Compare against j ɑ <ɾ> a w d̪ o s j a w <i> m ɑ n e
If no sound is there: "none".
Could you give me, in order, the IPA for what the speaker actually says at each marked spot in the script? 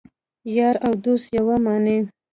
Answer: ɾ, a

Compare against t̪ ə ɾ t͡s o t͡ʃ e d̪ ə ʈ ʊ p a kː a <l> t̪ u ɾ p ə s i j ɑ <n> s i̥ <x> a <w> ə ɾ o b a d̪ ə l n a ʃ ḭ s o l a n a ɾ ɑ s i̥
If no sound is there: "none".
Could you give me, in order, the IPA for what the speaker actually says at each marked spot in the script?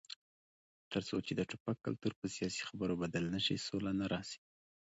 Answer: l, none, x, b

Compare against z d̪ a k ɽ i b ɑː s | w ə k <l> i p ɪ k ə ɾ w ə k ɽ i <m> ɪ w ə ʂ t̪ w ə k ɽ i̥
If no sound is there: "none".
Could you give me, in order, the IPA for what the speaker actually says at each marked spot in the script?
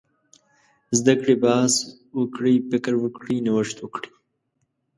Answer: ɽ, n

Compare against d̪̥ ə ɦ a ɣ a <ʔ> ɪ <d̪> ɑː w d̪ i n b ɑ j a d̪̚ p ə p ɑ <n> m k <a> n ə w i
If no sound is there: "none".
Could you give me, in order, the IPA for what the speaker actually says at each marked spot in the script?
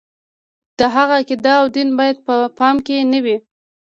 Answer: k, d̪, none, e

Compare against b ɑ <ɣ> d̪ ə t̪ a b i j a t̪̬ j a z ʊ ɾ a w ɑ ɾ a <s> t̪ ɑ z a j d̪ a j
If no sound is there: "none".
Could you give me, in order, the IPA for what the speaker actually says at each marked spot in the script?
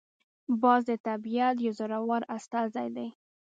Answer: z, s

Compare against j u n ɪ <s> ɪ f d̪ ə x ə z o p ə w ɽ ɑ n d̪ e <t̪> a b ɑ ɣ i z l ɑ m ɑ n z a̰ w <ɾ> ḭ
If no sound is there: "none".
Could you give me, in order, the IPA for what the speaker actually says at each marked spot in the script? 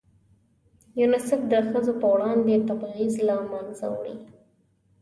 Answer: s, t̪, ɽ

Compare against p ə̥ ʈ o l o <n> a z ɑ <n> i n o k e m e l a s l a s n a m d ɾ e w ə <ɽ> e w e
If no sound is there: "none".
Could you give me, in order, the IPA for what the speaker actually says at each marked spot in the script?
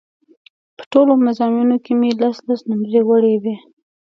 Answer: m, m, ɽ

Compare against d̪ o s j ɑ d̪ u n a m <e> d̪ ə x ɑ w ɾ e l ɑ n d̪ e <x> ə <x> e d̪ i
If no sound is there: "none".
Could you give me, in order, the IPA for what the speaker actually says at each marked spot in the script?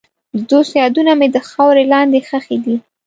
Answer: e, x, x

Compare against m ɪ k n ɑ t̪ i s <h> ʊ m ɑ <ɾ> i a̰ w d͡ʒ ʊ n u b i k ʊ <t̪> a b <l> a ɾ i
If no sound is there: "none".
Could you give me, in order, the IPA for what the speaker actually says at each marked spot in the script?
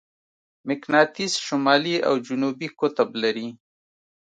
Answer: ʃ, l, t̪, l

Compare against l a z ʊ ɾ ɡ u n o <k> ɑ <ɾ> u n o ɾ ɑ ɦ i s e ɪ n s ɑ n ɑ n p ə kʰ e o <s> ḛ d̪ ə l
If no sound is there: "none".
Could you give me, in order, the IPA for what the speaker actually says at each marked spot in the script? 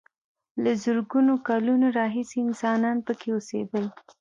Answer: k, l, s

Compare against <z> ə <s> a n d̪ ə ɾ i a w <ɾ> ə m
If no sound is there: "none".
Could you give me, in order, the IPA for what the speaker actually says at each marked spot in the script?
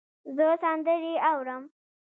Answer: z, s, ɾ

